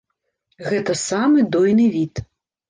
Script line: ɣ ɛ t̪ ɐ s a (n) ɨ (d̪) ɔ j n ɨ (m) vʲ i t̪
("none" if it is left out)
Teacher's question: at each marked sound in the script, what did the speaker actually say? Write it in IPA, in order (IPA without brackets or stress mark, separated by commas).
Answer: m, d̪, none